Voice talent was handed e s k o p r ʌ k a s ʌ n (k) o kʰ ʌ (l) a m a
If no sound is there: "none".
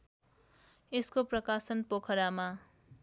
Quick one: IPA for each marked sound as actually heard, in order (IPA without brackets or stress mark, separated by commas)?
p, ɾ